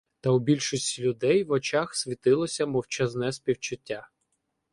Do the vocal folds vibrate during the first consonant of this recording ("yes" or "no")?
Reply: no